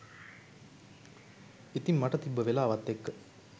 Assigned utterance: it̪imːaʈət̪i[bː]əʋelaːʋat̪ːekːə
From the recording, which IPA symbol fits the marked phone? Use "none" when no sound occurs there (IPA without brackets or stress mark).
bː